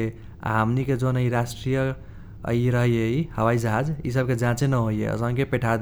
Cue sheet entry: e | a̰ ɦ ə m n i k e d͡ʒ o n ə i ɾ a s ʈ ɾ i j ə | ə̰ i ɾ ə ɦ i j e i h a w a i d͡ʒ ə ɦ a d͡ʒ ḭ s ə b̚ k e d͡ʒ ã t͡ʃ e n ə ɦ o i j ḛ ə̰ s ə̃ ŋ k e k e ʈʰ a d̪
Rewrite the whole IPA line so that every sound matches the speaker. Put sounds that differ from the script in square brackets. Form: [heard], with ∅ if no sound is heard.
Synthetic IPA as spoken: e | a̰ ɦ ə m n i k e d͡ʒ o n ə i ɾ a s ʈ ɾ i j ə | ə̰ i ɾ ə ɦ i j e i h [ə] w a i d͡ʒ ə ɦ a d͡ʒ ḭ s ə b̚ k e d͡ʒ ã t͡ʃ e n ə ɦ o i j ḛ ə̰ s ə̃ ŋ k e [p] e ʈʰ a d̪